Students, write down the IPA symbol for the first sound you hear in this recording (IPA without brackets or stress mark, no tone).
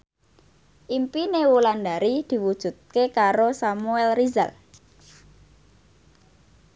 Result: ʔ